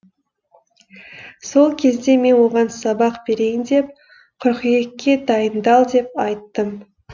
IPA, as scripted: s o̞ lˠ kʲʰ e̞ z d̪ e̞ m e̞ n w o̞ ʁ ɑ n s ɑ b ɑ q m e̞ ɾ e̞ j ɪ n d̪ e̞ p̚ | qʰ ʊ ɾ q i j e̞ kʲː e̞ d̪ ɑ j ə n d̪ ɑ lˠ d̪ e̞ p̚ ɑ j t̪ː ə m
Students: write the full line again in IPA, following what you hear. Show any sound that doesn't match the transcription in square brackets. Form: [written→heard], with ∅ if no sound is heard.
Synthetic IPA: s o̞ lˠ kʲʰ e̞ z d̪ e̞ m e̞ n w o̞ ʁ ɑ n s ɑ b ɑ q [m→b] e̞ ɾ e̞ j ɪ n d̪ e̞ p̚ | qʰ ʊ ɾ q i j e̞ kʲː e̞ d̪ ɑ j ə n d̪ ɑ lˠ d̪ e̞ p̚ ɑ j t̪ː ə m

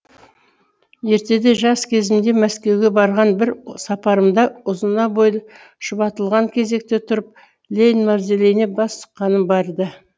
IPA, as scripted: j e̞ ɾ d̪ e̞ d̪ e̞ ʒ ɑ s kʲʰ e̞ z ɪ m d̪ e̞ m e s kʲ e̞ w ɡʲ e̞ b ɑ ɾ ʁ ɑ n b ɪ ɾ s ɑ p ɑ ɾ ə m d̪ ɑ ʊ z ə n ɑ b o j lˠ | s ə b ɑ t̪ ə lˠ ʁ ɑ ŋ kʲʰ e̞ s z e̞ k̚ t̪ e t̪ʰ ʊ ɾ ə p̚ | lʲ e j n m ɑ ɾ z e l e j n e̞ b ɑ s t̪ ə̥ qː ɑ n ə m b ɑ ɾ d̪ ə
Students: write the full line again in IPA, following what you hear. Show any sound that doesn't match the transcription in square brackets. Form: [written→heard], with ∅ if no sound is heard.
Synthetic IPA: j e̞ ɾ [d̪→t̪] e̞ d̪ e̞ ʒ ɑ s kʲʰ e̞ z ɪ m d̪ e̞ m [e→æ] s kʲ e̞ w ɡʲ e̞ b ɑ ɾ ʁ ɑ n b ɪ ɾ s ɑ p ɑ ɾ ə m d̪ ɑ ʊ z ə n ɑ b o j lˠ | [s→ʃ] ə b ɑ t̪ ə lˠ ʁ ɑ ŋ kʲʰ e̞ [s→∅] z e̞ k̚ t̪ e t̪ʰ ʊ ɾ ə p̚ | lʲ e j n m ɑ ɾ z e l e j n e̞ b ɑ s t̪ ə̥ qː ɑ n ə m b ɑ ɾ d̪ ə

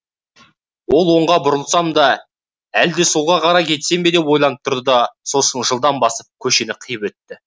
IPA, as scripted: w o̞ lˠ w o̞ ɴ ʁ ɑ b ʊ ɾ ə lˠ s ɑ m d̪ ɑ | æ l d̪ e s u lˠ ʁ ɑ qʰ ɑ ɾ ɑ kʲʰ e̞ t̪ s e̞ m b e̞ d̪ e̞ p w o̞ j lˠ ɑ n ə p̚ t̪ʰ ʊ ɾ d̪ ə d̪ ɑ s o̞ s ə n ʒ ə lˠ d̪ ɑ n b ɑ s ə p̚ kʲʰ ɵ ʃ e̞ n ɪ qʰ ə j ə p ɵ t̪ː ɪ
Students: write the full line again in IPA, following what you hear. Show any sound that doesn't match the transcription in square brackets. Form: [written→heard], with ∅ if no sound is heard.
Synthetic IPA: w o̞ lˠ w o̞ ɴ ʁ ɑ b ʊ ɾ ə lˠ s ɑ m d̪ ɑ | æ l d̪ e s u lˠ ʁ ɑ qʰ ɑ ɾ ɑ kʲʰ e̞ t̪ s e̞ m b e̞ d̪ e̞ p w o̞ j lˠ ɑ n ə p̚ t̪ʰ ʊ ɾ d̪ ə d̪ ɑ s o̞ s ə n ʒ ə lˠ d̪ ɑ n b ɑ s ə p̚ kʲʰ ɵ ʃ e̞ n ɪ qʰ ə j ə p ɵ t̪ː ɪ

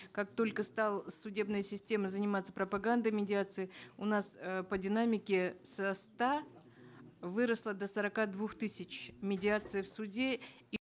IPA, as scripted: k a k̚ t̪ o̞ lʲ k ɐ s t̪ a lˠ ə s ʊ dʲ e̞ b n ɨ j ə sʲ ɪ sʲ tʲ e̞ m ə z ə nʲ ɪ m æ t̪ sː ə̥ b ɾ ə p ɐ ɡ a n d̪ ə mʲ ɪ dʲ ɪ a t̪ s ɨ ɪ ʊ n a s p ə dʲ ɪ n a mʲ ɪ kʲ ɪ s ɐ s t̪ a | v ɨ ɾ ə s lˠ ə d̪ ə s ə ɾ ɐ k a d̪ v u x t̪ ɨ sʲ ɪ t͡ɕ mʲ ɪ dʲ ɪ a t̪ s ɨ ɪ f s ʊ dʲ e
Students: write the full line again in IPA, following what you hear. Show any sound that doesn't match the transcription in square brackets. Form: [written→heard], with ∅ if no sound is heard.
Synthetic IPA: k a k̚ t̪ o̞ lʲ k [ɐ→ə] s t̪ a lˠ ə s ʊ dʲ e̞ b n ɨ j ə sʲ ɪ sʲ tʲ e̞ m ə z ə nʲ ɪ m [æ→a] t̪ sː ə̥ [b→p] ɾ ə p ɐ ɡ a n d̪ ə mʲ ɪ dʲ ɪ a t̪ s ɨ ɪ ʊ n a s p ə dʲ ɪ n a mʲ ɪ kʲ ɪ s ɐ s t̪ a | v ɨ ɾ ə s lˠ ə d̪ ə s ə ɾ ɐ k a d̪ v u x t̪ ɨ sʲ ɪ t͡ɕ mʲ ɪ dʲ ɪ a t̪ s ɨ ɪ f s ʊ dʲ e

